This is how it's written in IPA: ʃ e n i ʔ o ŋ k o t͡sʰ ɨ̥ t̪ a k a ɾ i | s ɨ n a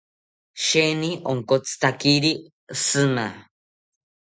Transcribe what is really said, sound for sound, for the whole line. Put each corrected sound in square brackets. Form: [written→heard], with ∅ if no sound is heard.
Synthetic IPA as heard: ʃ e n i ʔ o ŋ k o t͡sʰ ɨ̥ t̪ a k [a→i] ɾ i | s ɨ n a